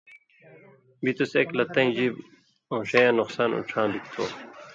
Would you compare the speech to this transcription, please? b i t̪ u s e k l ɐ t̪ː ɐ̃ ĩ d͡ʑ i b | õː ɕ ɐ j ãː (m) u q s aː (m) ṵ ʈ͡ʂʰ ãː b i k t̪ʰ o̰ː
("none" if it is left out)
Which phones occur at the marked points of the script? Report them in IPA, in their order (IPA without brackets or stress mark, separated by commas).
n, n